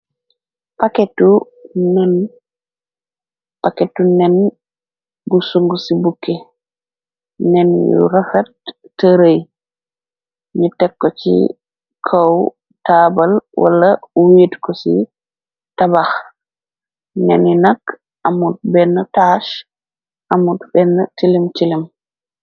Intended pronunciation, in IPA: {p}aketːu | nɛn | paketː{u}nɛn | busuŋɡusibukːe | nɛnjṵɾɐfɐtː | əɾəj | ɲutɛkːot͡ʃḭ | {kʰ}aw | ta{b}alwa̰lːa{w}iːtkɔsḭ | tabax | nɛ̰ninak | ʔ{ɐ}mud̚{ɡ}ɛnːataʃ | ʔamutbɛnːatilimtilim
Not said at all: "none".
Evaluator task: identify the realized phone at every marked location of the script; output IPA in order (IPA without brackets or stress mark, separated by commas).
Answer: p, u, kʰ, b, w, a, b